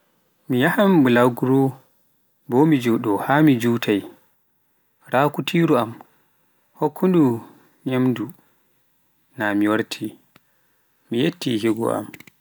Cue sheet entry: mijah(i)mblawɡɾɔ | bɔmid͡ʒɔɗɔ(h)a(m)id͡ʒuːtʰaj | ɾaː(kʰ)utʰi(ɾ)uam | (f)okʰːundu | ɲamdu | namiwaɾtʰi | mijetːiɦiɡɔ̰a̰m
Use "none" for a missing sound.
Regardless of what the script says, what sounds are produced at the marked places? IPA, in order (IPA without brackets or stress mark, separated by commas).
a, h, m, k, ɾ, h